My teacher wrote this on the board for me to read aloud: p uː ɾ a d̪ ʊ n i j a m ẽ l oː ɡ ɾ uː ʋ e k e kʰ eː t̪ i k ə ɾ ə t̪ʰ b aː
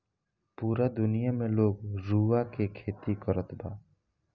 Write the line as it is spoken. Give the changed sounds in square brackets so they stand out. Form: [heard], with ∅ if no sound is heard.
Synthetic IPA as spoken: p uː ɾ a d̪ ʊ n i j a m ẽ l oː ɡ ɾ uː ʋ [a] k e kʰ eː t̪ i k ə ɾ ə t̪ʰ b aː

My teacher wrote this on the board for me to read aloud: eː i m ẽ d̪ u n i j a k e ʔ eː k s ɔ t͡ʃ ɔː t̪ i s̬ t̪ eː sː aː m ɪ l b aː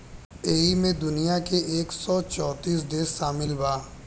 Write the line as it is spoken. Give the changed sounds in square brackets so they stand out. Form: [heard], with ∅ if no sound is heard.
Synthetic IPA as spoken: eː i m ẽ d̪ [ʊ] n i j a k e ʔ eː k s ɔ t͡ʃ ɔː t̪ [iː] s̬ [d̪] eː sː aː m ɪ l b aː

